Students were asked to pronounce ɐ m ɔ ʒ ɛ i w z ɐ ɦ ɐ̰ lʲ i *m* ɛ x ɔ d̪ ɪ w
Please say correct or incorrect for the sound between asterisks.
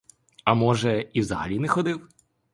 incorrect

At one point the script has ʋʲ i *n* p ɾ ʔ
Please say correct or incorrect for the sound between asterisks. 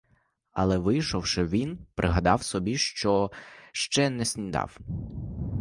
correct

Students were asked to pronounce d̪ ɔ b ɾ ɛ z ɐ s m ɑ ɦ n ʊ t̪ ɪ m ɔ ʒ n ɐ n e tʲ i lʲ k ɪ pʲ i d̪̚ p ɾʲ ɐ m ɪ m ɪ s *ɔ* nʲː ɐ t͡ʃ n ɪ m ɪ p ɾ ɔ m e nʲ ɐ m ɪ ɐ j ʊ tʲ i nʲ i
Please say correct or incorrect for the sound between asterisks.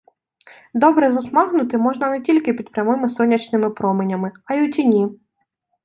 correct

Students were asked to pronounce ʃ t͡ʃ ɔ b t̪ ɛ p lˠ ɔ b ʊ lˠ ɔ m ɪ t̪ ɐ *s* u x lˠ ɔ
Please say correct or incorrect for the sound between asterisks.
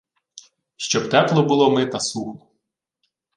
correct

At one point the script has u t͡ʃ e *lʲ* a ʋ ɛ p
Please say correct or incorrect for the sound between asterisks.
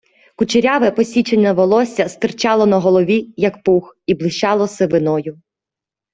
incorrect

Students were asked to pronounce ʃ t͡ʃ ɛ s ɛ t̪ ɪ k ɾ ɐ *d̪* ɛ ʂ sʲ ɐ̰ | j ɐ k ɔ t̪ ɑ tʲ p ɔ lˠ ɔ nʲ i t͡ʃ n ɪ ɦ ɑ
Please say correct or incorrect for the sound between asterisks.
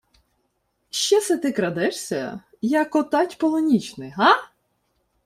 correct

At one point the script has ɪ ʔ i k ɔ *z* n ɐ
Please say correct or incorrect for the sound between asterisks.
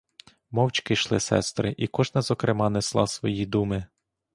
incorrect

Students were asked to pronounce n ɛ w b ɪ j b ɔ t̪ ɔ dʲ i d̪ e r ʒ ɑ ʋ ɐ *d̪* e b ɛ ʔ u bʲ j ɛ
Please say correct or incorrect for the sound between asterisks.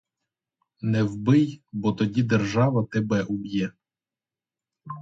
incorrect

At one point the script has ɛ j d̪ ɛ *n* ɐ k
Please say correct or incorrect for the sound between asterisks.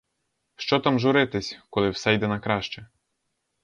correct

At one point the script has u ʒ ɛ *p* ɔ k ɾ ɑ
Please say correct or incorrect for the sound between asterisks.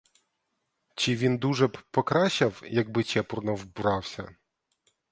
correct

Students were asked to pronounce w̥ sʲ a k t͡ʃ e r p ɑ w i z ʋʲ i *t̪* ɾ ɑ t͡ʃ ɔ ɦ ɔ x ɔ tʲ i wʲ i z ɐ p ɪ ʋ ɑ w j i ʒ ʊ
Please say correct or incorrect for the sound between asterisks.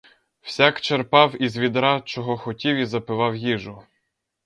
incorrect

